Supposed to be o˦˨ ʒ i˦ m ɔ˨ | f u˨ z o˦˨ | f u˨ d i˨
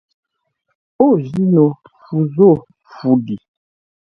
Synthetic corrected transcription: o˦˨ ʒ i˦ n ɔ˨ | f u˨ z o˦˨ | f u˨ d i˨